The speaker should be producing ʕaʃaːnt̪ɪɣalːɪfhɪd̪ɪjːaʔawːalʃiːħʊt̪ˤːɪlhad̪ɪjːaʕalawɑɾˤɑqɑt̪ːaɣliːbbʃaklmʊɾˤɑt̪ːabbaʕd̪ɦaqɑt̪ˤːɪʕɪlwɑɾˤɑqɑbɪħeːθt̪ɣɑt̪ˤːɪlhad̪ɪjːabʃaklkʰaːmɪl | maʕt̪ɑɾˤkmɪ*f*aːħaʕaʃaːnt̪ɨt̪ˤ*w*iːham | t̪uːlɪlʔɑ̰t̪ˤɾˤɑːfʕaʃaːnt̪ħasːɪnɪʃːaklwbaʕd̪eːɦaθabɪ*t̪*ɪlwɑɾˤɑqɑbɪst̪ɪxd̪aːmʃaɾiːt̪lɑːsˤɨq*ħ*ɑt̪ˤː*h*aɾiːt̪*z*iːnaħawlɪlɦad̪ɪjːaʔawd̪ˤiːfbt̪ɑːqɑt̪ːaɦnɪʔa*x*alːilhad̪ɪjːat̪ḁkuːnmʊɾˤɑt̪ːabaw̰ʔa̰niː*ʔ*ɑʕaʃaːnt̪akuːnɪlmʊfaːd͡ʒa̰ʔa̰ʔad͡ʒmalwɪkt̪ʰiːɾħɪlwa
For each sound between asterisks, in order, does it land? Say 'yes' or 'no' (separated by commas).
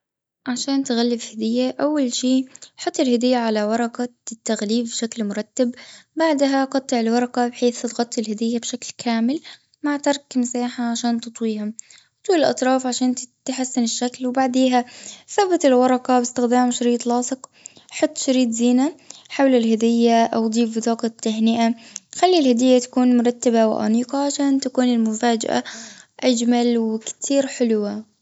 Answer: no, yes, yes, yes, no, yes, yes, no